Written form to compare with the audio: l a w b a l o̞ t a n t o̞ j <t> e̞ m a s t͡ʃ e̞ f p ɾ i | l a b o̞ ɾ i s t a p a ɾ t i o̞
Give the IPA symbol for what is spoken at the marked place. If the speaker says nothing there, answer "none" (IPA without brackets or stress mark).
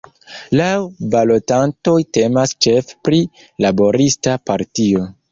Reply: t